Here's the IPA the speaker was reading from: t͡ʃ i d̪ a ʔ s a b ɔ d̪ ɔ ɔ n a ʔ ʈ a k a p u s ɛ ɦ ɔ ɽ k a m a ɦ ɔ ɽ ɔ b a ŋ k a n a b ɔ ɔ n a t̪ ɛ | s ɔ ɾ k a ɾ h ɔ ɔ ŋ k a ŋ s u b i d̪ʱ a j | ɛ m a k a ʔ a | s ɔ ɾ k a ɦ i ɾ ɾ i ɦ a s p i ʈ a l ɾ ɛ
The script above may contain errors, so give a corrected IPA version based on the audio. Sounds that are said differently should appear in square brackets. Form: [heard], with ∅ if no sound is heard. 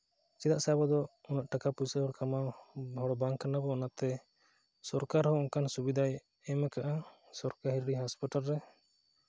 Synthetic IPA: t͡ʃ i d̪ a ʔ s a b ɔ d̪ ɔ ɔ n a ʔ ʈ a k a p u s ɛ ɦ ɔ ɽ k a m a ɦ ɔ ɽ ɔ b a ŋ k a n a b ɔ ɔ n a t̪ ɛ | s ɔ ɾ k a ɾ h ɔ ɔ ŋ k a [n] s u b i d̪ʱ a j | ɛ m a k a ʔ a | s ɔ ɾ k a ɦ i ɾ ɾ i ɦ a s p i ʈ a l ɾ ɛ